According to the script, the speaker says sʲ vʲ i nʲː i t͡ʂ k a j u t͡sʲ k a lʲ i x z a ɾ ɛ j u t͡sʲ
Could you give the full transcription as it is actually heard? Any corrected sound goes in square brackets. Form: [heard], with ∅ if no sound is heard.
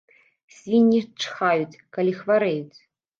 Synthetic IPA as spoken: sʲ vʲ i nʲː i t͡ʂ [x] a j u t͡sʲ k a lʲ i x [v] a ɾ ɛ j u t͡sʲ